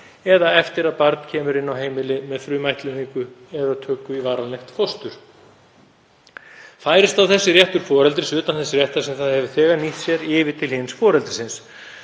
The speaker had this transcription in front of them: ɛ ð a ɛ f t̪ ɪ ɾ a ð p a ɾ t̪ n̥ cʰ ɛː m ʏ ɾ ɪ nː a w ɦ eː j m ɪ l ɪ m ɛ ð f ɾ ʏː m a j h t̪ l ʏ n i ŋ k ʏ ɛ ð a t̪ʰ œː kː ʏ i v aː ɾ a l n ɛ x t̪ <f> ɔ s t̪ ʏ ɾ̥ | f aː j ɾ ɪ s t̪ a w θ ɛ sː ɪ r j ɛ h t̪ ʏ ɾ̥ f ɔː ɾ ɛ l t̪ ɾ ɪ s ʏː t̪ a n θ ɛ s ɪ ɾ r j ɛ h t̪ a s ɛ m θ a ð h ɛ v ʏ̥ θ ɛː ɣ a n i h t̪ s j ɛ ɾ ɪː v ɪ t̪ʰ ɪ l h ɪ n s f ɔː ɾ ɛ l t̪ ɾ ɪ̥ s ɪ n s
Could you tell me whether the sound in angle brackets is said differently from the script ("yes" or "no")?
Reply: no